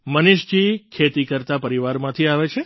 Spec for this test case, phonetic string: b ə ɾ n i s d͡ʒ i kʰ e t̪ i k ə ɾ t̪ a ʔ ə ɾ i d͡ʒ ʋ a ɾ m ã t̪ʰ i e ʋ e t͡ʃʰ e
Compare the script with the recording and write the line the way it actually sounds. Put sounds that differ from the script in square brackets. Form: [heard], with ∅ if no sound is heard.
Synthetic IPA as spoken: [m] ə [∅] n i [ʃ] d͡ʒ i kʰ e t̪ i k ə ɾ t̪ a [p] ə ɾ i [∅] ʋ a ɾ m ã t̪ʰ i [a] ʋ e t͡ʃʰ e